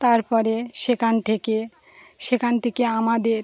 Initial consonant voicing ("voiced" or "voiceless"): voiceless